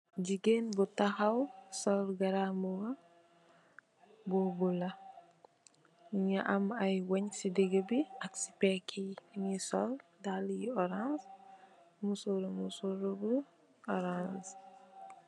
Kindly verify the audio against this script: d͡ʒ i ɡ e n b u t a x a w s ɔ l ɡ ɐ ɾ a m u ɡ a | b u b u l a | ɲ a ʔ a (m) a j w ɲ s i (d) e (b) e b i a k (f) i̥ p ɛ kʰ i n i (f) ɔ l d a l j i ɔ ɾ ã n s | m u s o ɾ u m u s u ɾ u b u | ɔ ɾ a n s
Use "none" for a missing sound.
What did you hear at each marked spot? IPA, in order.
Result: m, d, ɡ, s, s

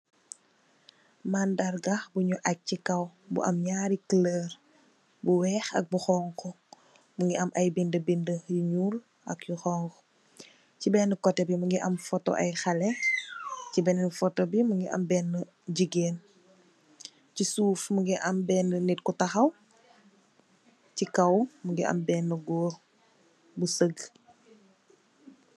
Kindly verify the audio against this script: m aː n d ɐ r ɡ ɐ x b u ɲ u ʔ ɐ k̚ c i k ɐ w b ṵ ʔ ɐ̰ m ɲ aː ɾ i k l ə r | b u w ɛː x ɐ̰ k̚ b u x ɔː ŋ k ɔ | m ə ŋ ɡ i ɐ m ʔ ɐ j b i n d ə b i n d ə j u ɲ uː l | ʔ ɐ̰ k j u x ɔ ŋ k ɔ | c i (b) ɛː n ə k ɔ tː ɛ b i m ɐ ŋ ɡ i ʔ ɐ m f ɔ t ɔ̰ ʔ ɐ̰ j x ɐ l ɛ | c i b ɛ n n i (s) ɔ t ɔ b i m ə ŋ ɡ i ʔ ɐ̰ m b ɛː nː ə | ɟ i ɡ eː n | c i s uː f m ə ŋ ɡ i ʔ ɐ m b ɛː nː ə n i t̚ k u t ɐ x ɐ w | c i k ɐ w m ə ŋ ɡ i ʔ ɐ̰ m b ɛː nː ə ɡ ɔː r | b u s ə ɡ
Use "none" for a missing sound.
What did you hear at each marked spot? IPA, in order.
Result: b, f

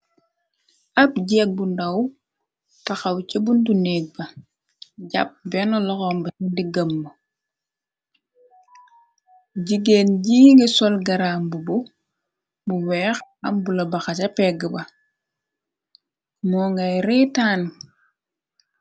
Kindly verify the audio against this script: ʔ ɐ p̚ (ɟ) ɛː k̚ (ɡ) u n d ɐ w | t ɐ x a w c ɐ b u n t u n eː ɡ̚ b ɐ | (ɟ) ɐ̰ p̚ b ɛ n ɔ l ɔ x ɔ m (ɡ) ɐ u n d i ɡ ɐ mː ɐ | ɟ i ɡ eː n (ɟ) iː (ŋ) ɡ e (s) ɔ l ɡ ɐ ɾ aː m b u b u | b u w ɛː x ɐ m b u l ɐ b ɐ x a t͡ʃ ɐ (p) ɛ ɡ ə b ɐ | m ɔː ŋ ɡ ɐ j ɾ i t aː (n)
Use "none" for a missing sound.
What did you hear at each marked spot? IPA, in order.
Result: ɟ, b, ɟ, b, ɟ, ŋ, s, p, n

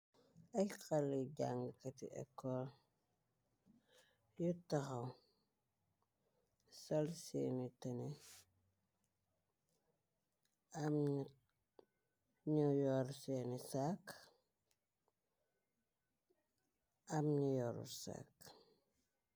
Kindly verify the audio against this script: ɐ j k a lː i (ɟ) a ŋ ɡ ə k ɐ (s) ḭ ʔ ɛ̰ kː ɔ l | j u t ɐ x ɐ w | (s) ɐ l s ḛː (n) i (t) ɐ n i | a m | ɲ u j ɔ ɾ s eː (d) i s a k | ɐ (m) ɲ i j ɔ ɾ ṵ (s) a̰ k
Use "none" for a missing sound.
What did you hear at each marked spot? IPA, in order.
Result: ɟ, t, s, n, t, n, m, s

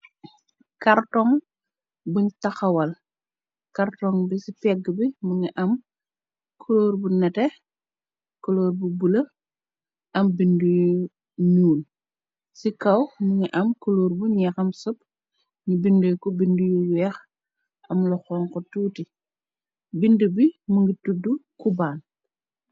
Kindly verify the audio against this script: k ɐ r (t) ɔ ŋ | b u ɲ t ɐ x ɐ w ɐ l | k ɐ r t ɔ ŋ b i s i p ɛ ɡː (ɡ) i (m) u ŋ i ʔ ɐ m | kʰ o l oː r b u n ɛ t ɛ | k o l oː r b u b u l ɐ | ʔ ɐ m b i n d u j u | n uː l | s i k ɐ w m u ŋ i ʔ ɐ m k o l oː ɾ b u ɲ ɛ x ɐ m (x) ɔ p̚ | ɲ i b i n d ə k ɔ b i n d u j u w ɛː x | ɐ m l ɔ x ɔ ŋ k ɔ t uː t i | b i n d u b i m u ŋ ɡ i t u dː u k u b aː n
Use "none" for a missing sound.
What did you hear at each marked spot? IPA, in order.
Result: t, b, m, s

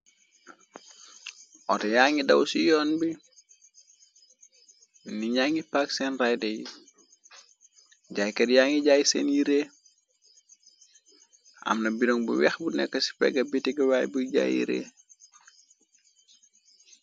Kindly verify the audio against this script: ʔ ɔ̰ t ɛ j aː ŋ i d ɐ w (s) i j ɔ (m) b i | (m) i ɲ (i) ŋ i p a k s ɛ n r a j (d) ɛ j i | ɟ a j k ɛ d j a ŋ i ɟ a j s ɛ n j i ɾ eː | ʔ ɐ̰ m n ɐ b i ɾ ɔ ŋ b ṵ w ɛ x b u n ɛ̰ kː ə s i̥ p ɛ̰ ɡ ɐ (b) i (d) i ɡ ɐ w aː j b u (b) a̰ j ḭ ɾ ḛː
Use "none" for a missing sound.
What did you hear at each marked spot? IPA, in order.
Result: s, n, n, a, d, b, t, ɟ

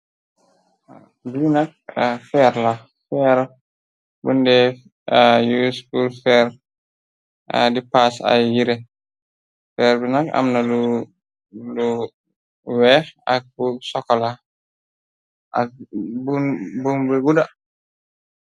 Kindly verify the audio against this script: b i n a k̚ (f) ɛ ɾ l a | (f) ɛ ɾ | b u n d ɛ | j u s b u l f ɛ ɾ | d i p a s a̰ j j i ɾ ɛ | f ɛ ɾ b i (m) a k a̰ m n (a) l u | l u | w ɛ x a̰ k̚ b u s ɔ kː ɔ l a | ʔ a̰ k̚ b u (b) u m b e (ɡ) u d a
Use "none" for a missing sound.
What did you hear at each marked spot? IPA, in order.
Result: f, f, n, a, b, ɡ

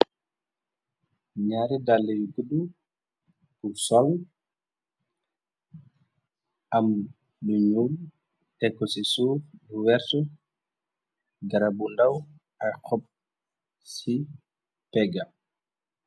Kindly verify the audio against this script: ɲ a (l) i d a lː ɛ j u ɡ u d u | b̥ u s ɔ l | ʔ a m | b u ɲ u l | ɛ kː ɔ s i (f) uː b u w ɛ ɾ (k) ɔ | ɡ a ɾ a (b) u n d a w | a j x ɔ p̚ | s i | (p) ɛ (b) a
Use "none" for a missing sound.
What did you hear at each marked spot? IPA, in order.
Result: ɾ, s, t, b, p, ɡ

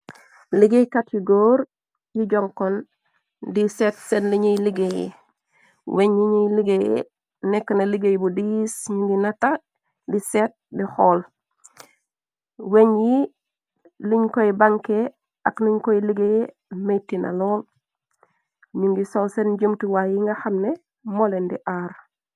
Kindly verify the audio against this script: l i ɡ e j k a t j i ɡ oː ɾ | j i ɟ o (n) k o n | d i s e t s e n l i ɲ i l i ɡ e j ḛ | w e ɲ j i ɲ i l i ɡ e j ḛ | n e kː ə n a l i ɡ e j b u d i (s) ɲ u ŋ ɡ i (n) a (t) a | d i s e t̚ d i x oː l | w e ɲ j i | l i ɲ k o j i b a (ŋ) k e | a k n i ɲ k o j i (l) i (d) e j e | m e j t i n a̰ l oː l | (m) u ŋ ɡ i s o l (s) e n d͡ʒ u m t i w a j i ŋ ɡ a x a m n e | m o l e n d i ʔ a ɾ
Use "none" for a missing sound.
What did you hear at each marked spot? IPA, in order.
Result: ŋ, s, n, t, ŋ, l, ɡ, ɲ, s

